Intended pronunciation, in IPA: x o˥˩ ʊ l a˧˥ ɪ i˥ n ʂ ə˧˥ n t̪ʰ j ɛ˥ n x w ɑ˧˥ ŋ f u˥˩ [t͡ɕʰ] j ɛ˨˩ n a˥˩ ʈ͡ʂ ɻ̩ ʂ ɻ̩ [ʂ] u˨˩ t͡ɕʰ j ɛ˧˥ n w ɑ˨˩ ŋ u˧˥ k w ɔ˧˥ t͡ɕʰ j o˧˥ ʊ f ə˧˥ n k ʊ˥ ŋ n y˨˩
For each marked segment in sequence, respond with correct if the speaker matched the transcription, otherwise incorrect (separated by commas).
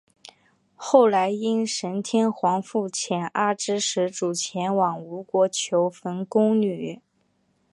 correct, incorrect